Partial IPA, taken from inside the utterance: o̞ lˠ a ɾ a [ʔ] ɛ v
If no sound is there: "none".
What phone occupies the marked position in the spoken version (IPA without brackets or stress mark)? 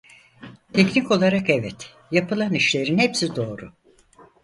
k